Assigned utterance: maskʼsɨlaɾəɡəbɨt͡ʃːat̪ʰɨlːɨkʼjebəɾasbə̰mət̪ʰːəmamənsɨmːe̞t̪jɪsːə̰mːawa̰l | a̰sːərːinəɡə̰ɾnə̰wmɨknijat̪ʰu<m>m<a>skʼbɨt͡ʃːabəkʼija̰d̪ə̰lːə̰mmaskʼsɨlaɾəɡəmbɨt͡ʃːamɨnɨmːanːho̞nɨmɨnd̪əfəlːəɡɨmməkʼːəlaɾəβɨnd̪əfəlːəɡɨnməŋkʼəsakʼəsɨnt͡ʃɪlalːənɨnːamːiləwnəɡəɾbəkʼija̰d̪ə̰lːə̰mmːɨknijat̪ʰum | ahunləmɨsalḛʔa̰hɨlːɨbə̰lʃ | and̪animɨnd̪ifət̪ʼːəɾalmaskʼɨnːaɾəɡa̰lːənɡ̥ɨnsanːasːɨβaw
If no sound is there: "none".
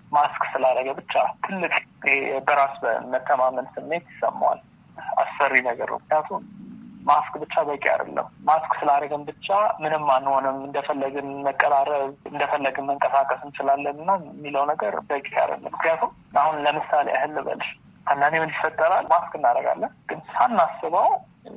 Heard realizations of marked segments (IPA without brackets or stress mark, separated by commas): m, a